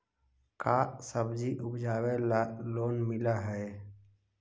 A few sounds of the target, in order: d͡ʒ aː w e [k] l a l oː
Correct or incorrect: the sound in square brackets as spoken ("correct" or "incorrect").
incorrect